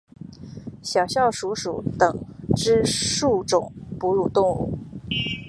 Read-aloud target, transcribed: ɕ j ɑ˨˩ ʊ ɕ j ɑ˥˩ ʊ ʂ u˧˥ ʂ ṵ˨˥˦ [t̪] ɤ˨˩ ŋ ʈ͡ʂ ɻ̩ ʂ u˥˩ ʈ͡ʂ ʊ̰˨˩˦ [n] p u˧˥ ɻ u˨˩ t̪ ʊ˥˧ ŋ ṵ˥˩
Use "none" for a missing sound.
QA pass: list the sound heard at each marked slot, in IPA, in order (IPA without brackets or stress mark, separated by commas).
t̪, ŋ